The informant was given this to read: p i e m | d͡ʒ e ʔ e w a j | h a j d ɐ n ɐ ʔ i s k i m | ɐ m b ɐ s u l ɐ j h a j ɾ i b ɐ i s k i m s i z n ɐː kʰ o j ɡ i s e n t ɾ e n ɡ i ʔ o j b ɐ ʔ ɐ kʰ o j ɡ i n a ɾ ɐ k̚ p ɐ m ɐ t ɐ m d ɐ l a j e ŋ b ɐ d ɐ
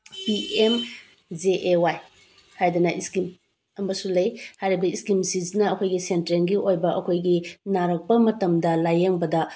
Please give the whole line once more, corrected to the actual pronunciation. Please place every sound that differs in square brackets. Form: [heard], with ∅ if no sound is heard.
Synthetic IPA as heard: p i e m | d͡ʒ e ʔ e w a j | h a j d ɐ n ɐ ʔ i s k i m | ɐ m b ɐ s u l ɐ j h a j ɾ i b ɐ i s k i m s i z n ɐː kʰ o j ɡ i s e n t ɾ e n ɡ i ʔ o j b ɐ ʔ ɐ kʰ o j ɡ i n a ɾ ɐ k̚ p ɐ m ɐ t ɐ m d ɐ l a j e ŋ b ɐ d ɐ